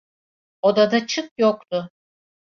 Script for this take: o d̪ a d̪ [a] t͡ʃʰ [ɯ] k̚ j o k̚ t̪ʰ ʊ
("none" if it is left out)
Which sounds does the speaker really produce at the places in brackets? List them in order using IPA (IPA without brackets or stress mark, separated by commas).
a, ɯ